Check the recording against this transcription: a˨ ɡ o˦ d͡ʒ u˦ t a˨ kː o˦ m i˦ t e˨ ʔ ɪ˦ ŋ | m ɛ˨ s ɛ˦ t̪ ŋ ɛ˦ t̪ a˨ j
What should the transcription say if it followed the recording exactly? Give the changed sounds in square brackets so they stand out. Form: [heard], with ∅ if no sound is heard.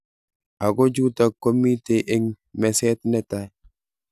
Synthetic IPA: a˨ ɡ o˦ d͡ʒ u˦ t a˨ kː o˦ m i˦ t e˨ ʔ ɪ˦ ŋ | m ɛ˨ s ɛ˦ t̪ [n] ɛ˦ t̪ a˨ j